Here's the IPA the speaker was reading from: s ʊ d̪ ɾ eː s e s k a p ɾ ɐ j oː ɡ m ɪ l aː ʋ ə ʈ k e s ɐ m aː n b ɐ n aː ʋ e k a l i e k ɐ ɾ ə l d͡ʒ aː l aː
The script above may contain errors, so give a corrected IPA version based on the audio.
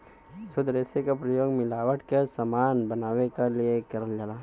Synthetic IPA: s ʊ d̪ ɾ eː s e k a p ɾ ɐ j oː ɡ m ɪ l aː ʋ ə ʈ k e s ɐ m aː n b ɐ n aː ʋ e k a l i e k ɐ ɾ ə l d͡ʒ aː l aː